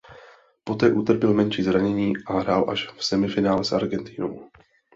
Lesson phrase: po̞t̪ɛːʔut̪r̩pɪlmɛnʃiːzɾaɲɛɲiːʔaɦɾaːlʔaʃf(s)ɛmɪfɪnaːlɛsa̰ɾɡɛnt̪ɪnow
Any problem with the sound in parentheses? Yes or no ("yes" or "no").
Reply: no